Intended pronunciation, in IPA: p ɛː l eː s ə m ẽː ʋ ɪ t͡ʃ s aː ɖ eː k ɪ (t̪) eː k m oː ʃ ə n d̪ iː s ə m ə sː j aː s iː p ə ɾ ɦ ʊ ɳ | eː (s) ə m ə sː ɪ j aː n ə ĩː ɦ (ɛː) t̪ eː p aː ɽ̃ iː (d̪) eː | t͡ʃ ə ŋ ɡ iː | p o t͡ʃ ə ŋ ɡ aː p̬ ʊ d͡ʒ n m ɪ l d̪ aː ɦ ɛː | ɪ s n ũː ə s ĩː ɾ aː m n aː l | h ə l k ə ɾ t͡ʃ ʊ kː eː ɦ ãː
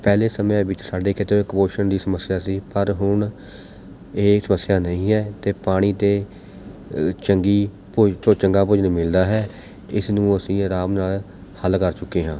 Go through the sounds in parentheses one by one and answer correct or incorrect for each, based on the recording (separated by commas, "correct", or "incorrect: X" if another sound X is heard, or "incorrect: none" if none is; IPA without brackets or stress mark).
correct, correct, correct, incorrect: t̪